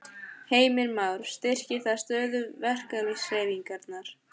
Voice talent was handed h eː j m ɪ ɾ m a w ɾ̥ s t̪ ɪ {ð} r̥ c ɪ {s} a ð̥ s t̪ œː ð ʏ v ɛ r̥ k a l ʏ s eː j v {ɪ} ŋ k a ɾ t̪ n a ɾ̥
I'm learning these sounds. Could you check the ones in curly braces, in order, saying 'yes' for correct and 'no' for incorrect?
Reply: no, no, no

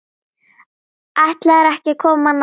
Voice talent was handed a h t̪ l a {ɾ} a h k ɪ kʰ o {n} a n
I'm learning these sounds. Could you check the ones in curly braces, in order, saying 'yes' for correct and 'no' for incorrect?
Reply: yes, no

